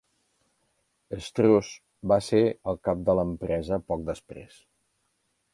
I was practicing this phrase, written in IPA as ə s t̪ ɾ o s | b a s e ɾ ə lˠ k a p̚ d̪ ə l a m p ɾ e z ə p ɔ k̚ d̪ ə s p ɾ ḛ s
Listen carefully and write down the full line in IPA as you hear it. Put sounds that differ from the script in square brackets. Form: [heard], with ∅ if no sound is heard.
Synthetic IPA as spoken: ə s t̪ ɾ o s | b a s e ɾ ə lˠ k a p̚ d̪ ə l [ə] m p ɾ [ɛ] z ə p ɔ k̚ d̪ ə s p ɾ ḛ s